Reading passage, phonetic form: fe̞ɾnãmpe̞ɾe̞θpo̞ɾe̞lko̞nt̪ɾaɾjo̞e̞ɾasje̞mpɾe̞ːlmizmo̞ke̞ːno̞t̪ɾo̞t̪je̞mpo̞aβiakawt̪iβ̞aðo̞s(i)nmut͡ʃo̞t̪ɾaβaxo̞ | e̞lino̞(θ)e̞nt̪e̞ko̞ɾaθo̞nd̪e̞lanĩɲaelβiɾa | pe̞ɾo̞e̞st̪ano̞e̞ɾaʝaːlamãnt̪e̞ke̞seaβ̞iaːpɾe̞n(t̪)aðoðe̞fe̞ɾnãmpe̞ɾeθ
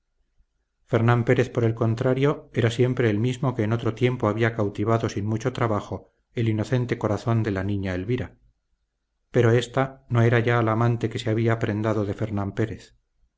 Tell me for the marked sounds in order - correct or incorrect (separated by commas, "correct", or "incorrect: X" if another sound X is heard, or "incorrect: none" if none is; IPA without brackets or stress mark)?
correct, correct, incorrect: d̪